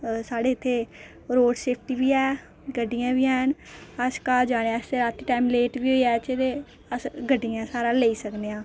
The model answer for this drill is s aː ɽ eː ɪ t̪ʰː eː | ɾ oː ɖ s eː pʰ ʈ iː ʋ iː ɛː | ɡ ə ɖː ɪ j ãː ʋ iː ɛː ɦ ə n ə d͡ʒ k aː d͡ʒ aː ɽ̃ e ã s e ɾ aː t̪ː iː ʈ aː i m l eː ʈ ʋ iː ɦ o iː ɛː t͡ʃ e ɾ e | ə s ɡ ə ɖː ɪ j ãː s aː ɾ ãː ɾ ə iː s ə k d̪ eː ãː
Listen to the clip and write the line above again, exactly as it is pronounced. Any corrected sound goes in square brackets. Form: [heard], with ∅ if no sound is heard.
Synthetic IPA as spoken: s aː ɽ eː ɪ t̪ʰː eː | ɾ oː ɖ s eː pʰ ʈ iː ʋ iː ɛː | ɡ ə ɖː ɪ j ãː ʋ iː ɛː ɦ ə n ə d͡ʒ k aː d͡ʒ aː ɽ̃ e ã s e ɾ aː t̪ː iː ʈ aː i m l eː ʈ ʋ iː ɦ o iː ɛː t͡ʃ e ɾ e | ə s ɡ ə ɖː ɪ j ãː s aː ɾ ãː [l] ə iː s ə k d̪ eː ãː

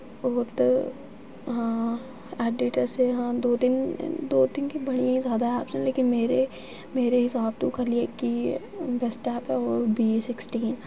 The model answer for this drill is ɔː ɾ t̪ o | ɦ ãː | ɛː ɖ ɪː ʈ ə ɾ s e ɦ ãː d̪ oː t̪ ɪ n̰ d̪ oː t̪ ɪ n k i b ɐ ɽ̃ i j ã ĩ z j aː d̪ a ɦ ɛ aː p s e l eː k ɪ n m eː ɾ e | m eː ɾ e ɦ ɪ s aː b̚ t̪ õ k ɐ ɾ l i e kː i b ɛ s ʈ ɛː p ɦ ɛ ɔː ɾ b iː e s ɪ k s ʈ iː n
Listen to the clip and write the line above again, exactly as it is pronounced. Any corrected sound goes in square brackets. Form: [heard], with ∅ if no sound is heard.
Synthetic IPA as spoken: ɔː ɾ t̪ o | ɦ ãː | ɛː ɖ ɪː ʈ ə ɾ s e ɦ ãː d̪ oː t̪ ɪ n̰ d̪ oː t̪ ɪ n k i b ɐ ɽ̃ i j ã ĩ z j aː d̪ a ɦ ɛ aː p s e l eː k ɪ n m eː ɾ e | m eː ɾ e ɦ ɪ s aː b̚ t̪ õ k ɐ ɾ l i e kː i b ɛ s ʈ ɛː p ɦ ɛ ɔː ɾ b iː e s ɪ k s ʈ iː n

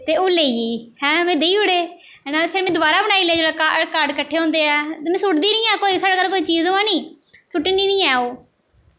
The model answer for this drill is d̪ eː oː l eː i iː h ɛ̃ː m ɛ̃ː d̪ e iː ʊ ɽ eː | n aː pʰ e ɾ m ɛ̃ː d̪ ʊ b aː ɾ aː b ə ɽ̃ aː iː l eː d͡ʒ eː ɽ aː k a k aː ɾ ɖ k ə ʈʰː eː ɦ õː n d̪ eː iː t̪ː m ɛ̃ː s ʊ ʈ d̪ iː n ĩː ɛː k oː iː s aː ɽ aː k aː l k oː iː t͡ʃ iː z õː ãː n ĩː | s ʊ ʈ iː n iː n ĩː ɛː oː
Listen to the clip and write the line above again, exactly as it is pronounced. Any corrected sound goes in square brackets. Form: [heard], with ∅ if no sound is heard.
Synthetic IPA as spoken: [t̪] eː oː l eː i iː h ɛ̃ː m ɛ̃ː d̪ e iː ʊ ɽ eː | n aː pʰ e ɾ m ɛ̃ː d̪ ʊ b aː ɾ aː b ə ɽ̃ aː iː l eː d͡ʒ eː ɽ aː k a k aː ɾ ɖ k ə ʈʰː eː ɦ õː n d̪ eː [ɛː] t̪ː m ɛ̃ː s ʊ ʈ d̪ iː n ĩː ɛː k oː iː s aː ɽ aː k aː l k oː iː t͡ʃ iː z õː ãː n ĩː | s ʊ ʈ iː n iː n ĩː ɛː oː

